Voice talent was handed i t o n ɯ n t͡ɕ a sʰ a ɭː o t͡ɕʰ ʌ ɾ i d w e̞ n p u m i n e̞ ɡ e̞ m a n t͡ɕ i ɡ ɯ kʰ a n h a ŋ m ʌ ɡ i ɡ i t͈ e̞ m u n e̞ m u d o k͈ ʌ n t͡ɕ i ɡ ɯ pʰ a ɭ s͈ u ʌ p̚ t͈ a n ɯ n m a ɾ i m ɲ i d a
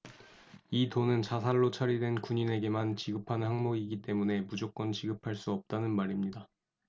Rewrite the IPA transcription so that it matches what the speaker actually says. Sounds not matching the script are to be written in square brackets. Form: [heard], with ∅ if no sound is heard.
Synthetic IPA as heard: i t o n ɯ n t͡ɕ a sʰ a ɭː o t͡ɕʰ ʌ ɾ i d w e̞ n [k] u [ɲ] i n e̞ ɡ e̞ m a n t͡ɕ i ɡ ɯ [pʰ] a n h a ŋ m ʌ ɡ i ɡ i t͈ e̞ m u n e̞ m u [d͡ʑ] o k͈ ʌ n t͡ɕ i ɡ ɯ pʰ a ɭ s͈ u ʌ p̚ t͈ a n ɯ n m a ɾ i m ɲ i d a